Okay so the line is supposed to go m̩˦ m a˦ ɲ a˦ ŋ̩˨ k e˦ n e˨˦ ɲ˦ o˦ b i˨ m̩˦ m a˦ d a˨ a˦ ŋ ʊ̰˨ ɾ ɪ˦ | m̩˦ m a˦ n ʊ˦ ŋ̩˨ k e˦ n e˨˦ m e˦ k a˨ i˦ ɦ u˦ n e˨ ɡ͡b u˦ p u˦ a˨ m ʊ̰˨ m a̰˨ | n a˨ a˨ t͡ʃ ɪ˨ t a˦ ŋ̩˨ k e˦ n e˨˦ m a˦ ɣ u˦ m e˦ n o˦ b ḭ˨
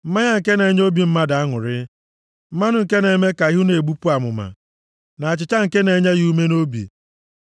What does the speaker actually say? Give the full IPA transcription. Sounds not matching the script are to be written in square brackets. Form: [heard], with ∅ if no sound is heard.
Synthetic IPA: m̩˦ m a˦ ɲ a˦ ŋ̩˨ k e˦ n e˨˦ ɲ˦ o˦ b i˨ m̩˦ m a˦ d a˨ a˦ ŋ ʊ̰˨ ɾ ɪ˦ | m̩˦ m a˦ n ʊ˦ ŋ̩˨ k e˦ n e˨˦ m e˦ k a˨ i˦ ɦ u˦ n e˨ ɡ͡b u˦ p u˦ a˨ m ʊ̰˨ m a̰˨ | n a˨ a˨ t͡ʃ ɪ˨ [t͡ʃ] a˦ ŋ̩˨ k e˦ n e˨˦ [ɲ] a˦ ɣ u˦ m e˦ n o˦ b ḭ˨

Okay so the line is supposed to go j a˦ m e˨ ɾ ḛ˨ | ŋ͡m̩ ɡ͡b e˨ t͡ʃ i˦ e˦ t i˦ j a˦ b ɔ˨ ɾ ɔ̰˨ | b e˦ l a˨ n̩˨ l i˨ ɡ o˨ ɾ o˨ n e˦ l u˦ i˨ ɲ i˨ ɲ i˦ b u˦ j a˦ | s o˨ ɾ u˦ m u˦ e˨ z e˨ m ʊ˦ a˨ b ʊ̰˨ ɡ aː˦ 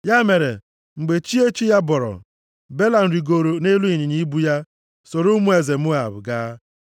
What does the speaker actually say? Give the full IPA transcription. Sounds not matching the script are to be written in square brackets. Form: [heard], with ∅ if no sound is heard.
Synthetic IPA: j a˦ m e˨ ɾ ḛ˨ | ŋ͡m̩ ɡ͡b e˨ t͡ʃ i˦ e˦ [t͡ʃ] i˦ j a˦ b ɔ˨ ɾ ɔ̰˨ | b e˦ l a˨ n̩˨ [ɾ] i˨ ɡ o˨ ɾ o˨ n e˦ l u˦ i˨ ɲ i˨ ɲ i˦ b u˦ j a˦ | s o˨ ɾ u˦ m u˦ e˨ z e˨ m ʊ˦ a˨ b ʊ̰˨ ɡ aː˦

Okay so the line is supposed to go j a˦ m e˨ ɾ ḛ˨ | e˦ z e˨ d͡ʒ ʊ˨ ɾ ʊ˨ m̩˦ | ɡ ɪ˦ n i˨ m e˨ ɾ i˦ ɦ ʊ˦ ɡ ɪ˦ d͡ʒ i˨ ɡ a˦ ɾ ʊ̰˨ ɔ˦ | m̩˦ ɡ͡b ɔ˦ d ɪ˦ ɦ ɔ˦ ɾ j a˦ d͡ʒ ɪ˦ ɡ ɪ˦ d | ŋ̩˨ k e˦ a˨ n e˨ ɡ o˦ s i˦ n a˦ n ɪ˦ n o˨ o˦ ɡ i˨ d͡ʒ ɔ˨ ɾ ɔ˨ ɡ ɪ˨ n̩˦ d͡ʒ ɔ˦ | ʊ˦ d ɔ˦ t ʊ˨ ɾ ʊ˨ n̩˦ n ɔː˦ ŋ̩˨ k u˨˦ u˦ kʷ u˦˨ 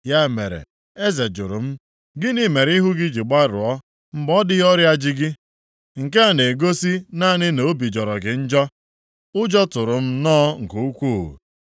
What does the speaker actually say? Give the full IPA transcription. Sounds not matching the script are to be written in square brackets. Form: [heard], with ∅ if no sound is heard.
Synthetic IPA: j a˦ m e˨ ɾ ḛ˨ | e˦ z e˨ d͡ʒ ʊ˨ ɾ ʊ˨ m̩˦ | ɡ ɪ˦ n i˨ m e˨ ɾ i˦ ɦ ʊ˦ ɡ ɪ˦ d͡ʒ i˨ [ɡ͡b] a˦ ɾ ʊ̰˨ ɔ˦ | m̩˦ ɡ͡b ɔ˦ d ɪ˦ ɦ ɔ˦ ɾ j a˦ d͡ʒ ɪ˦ ɡ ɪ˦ [∅] | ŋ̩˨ k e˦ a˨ n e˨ ɡ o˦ s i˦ n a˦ n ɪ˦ n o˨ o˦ [b] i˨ d͡ʒ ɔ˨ ɾ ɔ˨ ɡ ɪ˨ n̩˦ d͡ʒ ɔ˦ | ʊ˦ [d͡ʒ] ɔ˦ t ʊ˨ ɾ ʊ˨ [m̩˦] n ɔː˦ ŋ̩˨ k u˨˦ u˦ kʷ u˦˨

